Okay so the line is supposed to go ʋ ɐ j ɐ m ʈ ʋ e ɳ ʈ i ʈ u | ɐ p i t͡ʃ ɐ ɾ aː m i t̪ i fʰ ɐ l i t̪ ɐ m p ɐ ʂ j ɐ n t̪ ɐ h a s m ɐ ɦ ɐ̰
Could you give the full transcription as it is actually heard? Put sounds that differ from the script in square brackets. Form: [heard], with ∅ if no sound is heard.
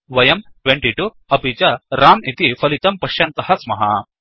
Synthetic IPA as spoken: ʋ ɐ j ɐ m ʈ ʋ e ɳ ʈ i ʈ u | ɐ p i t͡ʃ ɐ ɾ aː m i t̪ i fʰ ɐ l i t̪ ɐ m p ɐ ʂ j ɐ n t̪ ɐ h [ɐ] s m ɐ ɦ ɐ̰